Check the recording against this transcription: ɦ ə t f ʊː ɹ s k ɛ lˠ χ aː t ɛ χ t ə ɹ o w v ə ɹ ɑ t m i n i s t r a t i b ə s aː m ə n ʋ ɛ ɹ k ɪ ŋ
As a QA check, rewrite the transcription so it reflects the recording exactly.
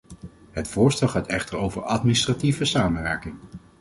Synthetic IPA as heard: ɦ ə t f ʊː ɹ s t ɛ lˠ χ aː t ɛ χ t ə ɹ o w v ə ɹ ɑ t m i n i s t r a t i v ə s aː m ə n ʋ ɛ ɹ k ɪ ŋ